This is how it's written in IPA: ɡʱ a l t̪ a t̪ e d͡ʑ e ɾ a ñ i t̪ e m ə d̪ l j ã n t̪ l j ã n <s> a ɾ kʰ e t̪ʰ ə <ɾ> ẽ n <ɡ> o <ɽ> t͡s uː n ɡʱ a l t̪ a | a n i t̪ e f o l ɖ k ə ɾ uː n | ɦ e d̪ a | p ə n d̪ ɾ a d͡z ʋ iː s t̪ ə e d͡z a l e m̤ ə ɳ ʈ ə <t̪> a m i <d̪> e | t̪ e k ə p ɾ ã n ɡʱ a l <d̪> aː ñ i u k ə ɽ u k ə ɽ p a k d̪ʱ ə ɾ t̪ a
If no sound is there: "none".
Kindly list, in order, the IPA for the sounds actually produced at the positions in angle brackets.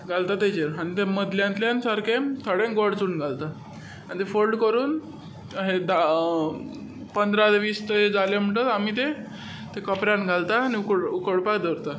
s, ɽ, ɡ, ɽ, t̪, t̪, t̪

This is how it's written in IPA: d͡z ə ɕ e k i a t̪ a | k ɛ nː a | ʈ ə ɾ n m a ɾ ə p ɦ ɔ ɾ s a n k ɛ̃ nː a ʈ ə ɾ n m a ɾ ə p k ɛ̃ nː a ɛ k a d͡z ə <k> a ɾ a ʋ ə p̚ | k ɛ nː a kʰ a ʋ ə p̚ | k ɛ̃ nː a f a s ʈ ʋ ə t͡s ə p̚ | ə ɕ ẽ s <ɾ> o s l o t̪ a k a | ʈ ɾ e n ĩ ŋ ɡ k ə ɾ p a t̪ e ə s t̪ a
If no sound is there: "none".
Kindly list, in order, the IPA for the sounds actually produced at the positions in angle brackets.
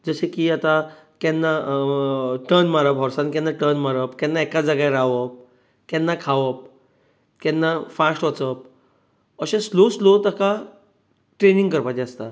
ɡ, l

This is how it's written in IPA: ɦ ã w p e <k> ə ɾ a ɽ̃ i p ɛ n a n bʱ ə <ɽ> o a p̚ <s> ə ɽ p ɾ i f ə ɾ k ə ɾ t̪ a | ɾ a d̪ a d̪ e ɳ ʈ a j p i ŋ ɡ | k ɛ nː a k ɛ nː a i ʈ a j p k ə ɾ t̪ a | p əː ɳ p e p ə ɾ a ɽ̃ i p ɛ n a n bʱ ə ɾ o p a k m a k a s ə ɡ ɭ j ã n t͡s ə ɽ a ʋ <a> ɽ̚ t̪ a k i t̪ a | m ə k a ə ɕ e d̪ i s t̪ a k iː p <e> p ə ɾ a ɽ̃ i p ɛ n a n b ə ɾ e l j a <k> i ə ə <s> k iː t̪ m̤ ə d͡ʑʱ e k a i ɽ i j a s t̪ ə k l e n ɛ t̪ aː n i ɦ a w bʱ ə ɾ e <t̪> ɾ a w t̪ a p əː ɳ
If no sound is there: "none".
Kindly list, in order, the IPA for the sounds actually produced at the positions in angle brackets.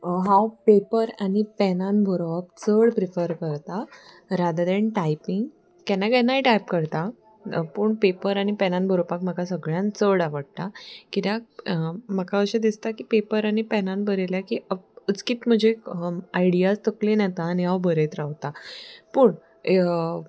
p, ɾ, t͡s, ə, e, k, t͡s, t̪

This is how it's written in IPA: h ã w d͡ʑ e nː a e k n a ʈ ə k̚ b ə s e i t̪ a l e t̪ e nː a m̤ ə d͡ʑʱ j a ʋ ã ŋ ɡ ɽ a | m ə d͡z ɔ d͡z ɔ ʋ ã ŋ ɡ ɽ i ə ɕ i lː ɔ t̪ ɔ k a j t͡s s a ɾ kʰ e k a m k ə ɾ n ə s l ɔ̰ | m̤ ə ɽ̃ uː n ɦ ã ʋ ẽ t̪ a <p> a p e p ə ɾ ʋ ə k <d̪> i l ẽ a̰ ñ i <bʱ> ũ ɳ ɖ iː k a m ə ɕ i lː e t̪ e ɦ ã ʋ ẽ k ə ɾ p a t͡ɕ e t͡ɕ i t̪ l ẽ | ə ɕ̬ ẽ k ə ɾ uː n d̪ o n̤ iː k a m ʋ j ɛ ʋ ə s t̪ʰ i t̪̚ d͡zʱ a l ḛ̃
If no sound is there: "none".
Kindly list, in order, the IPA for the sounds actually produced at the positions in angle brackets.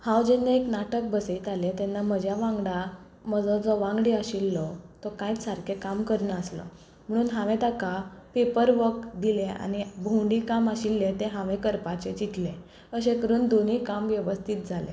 k, d̪, bʱ

